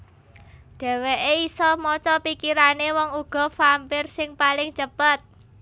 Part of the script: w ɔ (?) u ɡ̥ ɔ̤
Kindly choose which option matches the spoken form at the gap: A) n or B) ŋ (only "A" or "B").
B